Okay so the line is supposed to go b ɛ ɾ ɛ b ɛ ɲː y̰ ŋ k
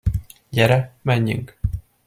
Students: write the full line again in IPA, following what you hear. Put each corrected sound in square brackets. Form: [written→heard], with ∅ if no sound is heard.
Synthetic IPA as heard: [b→ɟ] ɛ ɾ ɛ [b→m] ɛ ɲː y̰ ŋ k